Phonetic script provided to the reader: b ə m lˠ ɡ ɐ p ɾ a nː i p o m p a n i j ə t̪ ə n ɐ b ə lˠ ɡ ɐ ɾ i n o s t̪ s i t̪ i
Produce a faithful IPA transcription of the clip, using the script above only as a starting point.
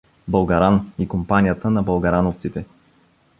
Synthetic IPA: b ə lˠ ɡ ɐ ɾ a n i k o m p a n i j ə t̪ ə n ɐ b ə lˠ ɡ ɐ ɾ a n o f t̪ s i t̪ ɛ